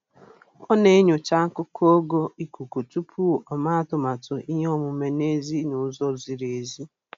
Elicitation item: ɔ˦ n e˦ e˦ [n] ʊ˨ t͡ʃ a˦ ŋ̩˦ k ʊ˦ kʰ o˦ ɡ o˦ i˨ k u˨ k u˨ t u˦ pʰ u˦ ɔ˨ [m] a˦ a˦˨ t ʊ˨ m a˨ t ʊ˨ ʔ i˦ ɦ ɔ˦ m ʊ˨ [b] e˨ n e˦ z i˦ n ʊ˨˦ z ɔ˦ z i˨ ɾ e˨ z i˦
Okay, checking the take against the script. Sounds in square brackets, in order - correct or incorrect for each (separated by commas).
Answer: incorrect, correct, incorrect